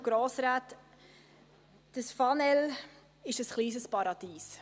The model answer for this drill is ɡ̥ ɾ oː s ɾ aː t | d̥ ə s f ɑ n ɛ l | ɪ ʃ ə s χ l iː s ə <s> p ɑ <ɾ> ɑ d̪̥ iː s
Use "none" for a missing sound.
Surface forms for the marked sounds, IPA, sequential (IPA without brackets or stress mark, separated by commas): s, ɾ